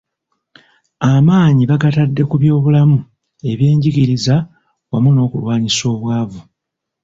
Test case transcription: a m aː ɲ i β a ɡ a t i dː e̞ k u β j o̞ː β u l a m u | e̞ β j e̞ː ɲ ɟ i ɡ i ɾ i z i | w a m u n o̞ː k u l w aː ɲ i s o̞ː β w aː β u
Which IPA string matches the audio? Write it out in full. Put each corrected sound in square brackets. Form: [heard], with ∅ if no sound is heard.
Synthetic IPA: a m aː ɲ i β a ɡ a t [a] dː e̞ k u β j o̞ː β u l a m u | e̞ β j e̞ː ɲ ɟ i ɡ i ɾ i z [a] | w a m u n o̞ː k u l w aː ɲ i s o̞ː β w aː [v] u